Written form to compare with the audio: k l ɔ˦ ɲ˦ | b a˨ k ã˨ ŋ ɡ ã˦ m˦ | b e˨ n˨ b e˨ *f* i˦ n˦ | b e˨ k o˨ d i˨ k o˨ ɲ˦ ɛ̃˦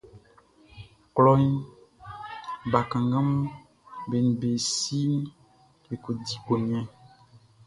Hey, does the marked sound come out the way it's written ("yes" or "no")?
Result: no